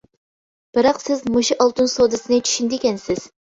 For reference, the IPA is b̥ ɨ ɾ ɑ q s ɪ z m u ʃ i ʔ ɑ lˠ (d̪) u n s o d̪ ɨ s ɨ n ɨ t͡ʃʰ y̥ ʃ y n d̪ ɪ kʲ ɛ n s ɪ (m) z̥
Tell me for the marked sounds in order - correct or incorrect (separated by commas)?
incorrect, incorrect